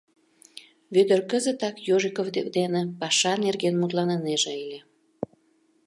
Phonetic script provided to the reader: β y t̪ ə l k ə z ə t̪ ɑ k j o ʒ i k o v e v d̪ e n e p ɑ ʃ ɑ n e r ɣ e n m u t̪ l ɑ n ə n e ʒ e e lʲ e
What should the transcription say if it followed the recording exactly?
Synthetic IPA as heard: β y d̪ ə r k ə z ə t̪ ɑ k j o ʒ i k o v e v d̪ e n e p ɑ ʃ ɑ n e r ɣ e n m u t̪ l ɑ n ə n e ʒ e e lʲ e